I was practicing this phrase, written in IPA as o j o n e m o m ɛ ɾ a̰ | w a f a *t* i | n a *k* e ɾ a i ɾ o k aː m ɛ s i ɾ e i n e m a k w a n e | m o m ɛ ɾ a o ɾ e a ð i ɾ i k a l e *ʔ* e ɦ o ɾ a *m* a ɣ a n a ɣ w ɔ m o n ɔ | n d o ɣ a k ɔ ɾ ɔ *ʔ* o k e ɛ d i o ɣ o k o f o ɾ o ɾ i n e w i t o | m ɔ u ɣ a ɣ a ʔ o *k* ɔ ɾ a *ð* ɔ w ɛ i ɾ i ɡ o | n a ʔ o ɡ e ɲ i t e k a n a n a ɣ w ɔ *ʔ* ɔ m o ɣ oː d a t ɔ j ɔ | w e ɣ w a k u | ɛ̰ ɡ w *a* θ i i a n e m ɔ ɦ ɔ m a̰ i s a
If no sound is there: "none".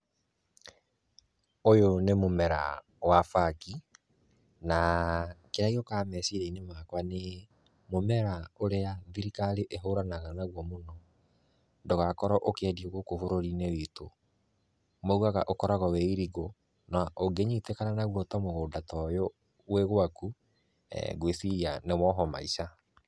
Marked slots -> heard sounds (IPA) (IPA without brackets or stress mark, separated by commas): k, k, ʔ, n, ʔ, k, ɣ, t, e